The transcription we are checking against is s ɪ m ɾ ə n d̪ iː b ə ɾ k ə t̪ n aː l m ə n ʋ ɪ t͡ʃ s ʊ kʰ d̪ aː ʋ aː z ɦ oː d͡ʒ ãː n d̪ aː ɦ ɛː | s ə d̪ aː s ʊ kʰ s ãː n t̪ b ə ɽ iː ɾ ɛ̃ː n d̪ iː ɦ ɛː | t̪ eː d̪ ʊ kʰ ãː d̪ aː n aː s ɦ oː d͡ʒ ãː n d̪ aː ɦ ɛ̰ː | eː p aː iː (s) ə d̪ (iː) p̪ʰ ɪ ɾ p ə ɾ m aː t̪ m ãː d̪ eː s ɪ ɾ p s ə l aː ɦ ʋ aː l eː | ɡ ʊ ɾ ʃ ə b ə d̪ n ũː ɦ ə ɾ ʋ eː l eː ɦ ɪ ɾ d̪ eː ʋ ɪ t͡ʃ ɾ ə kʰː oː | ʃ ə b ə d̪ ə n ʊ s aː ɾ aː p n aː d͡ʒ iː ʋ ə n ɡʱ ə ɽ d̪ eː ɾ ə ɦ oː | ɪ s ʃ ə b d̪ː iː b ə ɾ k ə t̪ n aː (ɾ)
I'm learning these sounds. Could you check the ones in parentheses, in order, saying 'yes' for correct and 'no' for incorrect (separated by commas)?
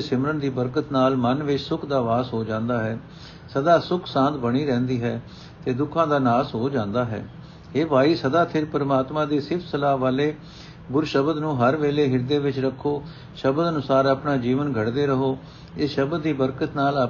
yes, no, no